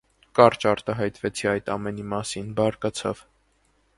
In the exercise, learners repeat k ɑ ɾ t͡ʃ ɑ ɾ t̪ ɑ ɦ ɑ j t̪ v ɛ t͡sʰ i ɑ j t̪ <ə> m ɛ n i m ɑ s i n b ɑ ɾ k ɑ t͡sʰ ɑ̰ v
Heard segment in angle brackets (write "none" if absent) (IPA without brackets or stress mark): ɑ